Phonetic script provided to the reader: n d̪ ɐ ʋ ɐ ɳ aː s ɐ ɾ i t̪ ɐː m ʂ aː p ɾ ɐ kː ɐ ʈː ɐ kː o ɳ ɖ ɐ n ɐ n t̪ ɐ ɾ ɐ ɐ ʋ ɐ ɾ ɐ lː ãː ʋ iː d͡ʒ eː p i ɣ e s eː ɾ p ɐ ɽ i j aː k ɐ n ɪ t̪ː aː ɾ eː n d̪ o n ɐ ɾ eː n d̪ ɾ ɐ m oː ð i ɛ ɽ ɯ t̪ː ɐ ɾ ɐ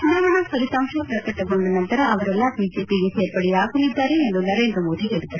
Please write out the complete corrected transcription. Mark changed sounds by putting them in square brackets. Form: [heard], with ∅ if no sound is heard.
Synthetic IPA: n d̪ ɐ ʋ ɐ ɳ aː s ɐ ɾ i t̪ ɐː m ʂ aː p ɾ ɐ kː ɐ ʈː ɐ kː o ɳ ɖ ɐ n ɐ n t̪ ɐ ɾ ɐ ɐ ʋ ɐ ɾ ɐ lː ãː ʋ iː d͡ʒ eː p i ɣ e s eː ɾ p ɐ ɽ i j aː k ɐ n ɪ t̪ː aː ɾ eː n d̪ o n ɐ ɾ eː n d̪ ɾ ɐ m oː ð i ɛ ɽ ɯ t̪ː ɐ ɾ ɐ

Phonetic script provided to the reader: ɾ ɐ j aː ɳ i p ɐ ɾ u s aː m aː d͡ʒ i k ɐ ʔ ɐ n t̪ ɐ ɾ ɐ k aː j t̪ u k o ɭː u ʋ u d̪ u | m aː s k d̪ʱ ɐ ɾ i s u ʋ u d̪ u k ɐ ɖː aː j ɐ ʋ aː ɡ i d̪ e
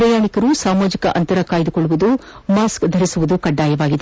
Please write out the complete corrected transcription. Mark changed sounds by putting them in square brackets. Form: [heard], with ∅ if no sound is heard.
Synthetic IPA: ɾ ɐ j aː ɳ i [k] ɐ ɾ u s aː m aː d͡ʒ i k ɐ ʔ ɐ n t̪ ɐ ɾ ɐ k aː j [d̪] u k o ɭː u ʋ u d̪ u | m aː s k d̪ʱ ɐ ɾ i s u ʋ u d̪ u k ɐ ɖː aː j ɐ ʋ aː ɡ i d̪ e

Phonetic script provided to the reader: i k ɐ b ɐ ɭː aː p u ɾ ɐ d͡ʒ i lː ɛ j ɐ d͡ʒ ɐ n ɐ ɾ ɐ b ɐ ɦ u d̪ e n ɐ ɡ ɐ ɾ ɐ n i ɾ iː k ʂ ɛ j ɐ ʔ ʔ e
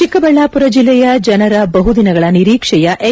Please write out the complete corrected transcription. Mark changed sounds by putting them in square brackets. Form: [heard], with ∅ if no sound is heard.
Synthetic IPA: i k ɐ b ɐ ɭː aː p u ɾ ɐ d͡ʒ i lː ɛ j ɐ d͡ʒ ɐ n ɐ ɾ ɐ b ɐ ɦ u d̪ [i] n ɐ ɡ ɐ [ɭ] ɐ n i ɾ iː k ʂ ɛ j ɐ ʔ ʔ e

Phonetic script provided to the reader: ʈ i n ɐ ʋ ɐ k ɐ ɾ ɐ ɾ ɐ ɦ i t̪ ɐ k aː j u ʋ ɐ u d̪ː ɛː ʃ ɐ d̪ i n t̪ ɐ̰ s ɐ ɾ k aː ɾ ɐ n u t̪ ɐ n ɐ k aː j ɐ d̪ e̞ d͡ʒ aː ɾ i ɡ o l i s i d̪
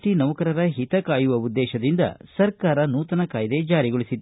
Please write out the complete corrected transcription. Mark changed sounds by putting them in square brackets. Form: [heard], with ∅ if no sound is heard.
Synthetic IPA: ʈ i n ɐ ʋ ɐ k ɐ ɾ ɐ ɾ ɐ ɦ i t̪ ɐ k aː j u ʋ ɐ u d̪ː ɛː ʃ ɐ d̪ i n [d̪] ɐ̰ s ɐ ɾ k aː ɾ ɐ n [uː] t̪ ɐ n ɐ k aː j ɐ d̪ e̞ d͡ʒ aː ɾ i ɡ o [ɭ] i s i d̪

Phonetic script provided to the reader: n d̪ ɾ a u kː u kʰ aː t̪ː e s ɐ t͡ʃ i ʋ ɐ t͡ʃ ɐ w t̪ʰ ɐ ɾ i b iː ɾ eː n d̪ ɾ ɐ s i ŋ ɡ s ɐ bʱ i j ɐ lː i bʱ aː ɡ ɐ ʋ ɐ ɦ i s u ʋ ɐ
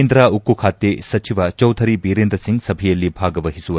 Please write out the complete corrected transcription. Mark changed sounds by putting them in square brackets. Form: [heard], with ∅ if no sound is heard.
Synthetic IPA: n d̪ ɾ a u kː u kʰ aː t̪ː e s ɐ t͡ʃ i ʋ ɐ t͡ʃ ɐ w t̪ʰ ɐ ɾ i b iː ɾ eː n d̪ ɾ ɐ s i ŋ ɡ s ɐ bʱ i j ɐ lː i bʱ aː ɡ ɐ ʋ ɐ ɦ i s u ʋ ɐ

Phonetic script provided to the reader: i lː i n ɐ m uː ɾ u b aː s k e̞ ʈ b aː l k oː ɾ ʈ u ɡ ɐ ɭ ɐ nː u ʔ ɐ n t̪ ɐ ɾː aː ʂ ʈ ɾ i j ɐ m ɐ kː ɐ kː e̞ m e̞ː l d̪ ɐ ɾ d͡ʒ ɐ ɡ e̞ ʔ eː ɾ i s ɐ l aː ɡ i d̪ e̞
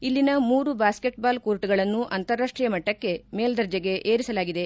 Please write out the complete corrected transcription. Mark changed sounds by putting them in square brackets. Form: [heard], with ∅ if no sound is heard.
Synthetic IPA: i lː i n ɐ m uː ɾ u b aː s k e̞ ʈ b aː l k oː ɾ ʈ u ɡ ɐ ɭ ɐ nː u ʔ ɐ n t̪ ɐ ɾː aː ʂ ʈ ɾ i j ɐ m ɐ [ʈː] ɐ kː e̞ m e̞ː l d̪ ɐ ɾ d͡ʒ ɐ ɡ e̞ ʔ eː ɾ i s ɐ l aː ɡ i d̪ e̞

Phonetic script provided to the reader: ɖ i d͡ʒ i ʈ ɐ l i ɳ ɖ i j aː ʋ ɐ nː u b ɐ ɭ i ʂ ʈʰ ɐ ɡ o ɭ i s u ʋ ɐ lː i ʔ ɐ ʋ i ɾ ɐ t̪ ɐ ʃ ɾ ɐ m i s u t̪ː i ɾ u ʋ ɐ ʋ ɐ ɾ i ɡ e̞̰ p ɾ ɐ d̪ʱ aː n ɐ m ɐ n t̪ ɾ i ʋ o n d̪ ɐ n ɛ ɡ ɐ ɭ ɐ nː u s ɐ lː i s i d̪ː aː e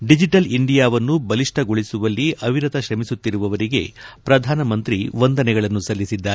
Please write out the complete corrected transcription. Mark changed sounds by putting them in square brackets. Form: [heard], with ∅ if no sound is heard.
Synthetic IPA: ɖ i d͡ʒ i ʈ ɐ l i ɳ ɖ i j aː ʋ ɐ nː u b ɐ [l] i ʂ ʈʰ ɐ ɡ o ɭ i s u ʋ ɐ lː i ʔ ɐ ʋ i ɾ ɐ t̪ ɐ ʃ ɾ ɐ m i s u t̪ː i ɾ u ʋ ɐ ʋ ɐ ɾ i ɡ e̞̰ p ɾ ɐ d̪ʱ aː n ɐ m ɐ n t̪ ɾ i ʋ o n d̪ ɐ n ɛ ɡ ɐ ɭ ɐ nː u s ɐ lː i s i d̪ː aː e

